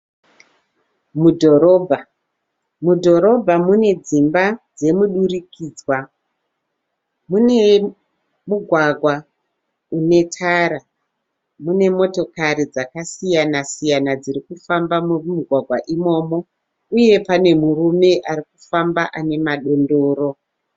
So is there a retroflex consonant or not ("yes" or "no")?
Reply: no